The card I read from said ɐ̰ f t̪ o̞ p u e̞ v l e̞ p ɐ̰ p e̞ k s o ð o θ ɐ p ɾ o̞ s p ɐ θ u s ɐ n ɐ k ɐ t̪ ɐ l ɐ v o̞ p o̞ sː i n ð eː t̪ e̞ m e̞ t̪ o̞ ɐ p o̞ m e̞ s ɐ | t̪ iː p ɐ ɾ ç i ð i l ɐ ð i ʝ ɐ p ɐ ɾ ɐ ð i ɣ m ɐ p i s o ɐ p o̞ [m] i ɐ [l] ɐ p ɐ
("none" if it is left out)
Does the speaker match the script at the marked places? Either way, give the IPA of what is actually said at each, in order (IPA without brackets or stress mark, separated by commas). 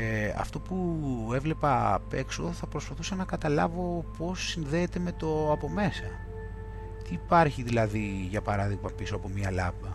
m, l